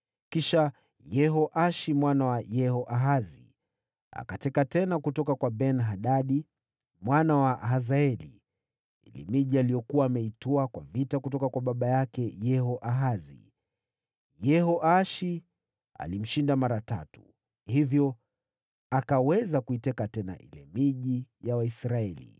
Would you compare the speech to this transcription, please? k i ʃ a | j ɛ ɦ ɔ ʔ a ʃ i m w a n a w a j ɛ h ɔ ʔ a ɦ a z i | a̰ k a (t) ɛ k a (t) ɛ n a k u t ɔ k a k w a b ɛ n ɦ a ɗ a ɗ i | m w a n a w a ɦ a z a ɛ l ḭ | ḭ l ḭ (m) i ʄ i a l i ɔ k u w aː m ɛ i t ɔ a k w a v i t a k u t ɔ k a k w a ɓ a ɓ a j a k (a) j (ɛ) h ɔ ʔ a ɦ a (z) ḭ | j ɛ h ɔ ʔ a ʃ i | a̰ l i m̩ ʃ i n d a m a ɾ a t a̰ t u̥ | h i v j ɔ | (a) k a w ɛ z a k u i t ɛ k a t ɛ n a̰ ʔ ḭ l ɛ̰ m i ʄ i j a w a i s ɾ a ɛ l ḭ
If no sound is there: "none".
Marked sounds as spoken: t, t, m, ɛ, ɛ, z, a

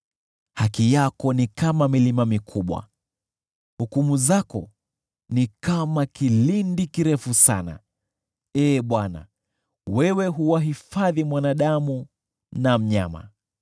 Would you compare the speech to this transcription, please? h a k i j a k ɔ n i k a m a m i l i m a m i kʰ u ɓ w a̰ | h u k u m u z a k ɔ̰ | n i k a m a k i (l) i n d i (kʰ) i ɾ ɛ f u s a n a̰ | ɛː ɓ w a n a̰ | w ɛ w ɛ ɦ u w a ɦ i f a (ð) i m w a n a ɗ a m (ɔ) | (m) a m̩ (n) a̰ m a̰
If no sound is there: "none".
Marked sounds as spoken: l, k, ð, u, n, ɲ

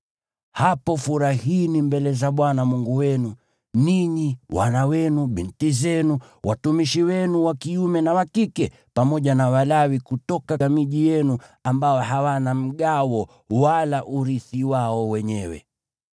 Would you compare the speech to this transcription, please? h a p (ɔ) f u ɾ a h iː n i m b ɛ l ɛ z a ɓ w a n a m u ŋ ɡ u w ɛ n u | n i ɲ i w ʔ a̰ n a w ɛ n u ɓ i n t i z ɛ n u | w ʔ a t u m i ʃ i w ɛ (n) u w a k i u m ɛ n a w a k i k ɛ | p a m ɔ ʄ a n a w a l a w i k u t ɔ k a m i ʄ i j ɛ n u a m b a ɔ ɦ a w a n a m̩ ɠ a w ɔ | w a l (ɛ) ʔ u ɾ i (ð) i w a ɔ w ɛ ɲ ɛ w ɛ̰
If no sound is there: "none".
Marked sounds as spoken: ɔ, n, a, θ

